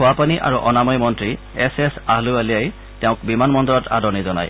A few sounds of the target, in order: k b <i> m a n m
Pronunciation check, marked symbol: correct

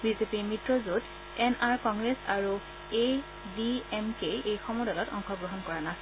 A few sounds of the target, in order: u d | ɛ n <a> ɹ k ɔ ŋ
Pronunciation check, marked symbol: correct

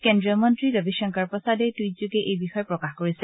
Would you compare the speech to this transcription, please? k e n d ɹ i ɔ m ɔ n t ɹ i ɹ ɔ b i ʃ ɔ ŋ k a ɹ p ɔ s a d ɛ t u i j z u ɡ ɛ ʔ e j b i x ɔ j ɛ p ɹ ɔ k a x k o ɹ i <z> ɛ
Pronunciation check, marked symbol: incorrect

